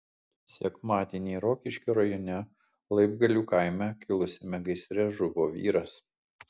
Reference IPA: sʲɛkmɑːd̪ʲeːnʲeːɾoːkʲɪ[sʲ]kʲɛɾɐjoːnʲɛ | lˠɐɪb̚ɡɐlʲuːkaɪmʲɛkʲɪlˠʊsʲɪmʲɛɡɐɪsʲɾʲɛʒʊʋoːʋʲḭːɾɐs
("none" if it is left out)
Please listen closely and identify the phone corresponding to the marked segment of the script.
ʃʲ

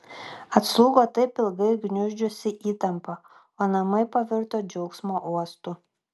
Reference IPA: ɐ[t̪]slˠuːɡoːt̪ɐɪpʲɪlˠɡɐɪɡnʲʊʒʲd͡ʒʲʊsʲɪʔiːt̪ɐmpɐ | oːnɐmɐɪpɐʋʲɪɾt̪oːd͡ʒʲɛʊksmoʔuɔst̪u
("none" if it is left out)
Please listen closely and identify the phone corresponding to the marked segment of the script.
t̪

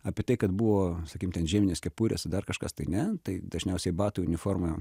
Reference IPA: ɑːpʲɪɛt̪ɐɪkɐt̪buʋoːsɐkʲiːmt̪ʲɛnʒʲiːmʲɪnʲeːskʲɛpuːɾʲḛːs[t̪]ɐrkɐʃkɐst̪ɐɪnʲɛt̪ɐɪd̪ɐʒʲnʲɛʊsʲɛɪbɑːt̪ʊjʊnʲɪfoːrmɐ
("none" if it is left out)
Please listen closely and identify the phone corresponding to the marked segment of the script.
d̪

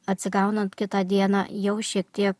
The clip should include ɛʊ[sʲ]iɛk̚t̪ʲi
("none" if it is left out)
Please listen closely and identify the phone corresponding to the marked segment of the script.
ʃʲ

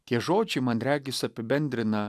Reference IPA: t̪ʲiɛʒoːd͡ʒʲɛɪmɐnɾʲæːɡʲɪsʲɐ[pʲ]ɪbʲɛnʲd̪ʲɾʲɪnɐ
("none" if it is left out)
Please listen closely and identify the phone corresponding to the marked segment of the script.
pʲ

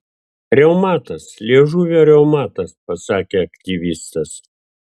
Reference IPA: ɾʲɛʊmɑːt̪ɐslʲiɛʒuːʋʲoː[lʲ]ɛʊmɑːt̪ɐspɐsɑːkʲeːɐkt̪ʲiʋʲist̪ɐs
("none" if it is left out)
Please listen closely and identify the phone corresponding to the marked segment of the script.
ɾʲ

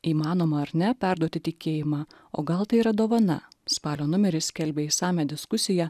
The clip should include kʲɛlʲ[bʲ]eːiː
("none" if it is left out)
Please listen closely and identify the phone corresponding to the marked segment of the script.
bʲ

